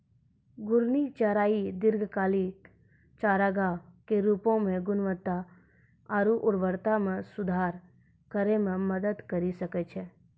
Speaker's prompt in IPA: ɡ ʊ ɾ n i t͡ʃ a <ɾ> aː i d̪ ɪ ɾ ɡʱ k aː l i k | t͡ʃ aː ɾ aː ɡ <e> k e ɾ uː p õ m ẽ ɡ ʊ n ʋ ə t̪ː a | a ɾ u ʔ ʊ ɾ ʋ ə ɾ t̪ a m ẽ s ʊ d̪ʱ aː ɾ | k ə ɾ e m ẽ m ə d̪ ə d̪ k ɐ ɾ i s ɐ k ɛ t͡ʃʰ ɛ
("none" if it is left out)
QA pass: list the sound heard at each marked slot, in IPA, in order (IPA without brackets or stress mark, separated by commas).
ɾ, a